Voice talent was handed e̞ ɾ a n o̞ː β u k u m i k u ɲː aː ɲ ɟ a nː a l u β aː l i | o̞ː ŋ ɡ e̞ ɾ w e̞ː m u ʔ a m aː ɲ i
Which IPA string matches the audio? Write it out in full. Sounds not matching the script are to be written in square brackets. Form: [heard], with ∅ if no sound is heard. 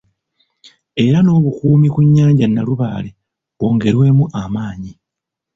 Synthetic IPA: e̞ ɾ a n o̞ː β u k [uː] m i k u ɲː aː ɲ ɟ a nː a l u β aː l [e] | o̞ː ŋ ɡ e̞ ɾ w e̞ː m u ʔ a m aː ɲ i